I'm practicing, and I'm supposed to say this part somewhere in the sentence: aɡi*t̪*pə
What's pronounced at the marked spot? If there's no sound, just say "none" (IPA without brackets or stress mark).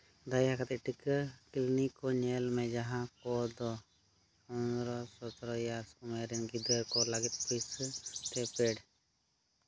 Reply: t̪